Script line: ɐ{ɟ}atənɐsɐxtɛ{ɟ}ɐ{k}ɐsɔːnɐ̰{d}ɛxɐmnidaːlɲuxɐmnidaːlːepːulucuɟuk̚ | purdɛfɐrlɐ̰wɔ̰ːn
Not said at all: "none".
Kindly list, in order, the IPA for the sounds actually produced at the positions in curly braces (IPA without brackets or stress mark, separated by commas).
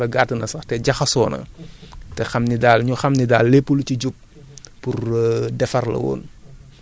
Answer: ɡ, ɟ, x, t